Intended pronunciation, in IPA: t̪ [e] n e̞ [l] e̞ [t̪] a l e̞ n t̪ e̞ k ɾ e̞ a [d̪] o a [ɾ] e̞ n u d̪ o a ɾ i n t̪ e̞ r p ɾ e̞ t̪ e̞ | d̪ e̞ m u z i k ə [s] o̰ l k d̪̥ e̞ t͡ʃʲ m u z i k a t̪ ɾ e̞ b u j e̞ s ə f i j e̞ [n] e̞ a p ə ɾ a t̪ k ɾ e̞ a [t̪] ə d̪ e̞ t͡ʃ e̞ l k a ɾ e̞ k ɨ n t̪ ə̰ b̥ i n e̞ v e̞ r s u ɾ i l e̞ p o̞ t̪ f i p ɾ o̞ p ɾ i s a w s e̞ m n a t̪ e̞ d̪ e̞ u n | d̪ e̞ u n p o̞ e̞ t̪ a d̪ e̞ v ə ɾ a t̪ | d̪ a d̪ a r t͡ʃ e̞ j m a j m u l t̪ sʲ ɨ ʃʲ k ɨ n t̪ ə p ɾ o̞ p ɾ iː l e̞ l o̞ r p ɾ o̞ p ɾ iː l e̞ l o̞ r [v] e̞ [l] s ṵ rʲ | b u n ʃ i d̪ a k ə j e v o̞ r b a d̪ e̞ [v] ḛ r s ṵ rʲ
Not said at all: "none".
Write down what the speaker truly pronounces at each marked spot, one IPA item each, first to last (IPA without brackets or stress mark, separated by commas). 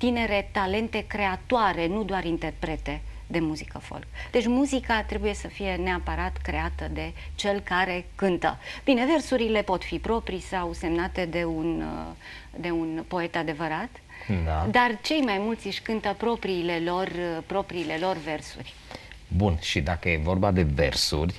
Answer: i, ɾ, t̪, t̪, ɾ, f, n, t̪, v, r, v